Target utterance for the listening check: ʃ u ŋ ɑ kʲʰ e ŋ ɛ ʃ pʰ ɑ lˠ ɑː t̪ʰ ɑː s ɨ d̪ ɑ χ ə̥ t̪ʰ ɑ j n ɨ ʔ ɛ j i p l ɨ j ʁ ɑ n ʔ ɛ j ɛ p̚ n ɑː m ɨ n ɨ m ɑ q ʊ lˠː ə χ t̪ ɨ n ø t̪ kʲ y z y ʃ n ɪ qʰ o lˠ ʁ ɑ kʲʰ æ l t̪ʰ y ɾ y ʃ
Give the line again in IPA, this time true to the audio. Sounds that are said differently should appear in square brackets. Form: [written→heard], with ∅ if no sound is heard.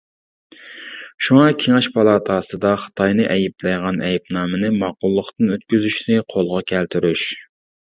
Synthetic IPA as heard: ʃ u ŋ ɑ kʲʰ e ŋ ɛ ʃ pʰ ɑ lˠ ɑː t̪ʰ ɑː s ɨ d̪ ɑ χ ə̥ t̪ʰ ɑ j n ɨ ʔ ɛ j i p l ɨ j ʁ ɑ n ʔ ɛ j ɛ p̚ n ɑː m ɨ n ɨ m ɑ q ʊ lˠː ə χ t̪ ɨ n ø t̪ kʲ y z y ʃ n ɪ qʰ o lˠ ʁ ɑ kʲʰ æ l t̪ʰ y ɾ y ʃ